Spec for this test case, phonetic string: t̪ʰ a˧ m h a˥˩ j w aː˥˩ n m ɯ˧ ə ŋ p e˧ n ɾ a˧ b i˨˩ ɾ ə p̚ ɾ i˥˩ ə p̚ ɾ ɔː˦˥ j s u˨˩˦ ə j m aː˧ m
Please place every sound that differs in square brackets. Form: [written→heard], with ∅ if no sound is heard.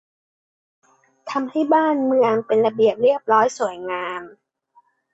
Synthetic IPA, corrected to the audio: t̪ʰ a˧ m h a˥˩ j [w→b] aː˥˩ n m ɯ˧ ə ŋ p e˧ n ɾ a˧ b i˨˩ [ɾ→∅] ə p̚ ɾ i˥˩ ə p̚ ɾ ɔː˦˥ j s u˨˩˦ ə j [m→ŋ] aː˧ m